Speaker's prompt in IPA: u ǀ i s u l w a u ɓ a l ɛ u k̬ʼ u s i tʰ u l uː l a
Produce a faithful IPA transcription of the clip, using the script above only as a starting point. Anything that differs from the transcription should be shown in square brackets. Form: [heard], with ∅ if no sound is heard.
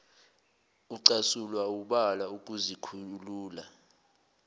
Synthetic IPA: u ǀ [a] s u l w a u ɓ a l [a] u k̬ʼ u [z] i [kʰ] u l uː l a